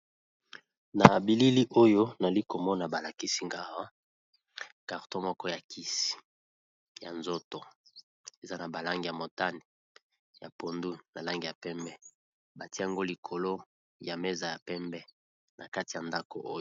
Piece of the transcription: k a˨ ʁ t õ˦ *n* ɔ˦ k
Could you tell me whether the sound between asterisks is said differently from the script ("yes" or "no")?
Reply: yes